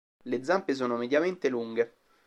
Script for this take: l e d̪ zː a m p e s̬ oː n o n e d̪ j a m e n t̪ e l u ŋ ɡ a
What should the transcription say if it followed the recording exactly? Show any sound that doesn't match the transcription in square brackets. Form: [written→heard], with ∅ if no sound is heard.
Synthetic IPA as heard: l e d̪ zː a m p e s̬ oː n o [n→m] e d̪ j a m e n t̪ e l u ŋ ɡ [a→e]